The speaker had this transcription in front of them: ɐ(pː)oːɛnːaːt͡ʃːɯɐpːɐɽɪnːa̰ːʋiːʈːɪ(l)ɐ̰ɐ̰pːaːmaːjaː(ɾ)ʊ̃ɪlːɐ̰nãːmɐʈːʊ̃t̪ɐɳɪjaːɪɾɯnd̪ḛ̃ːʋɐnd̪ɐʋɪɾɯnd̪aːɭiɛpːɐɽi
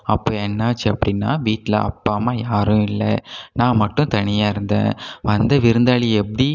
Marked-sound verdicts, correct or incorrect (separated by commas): correct, correct, correct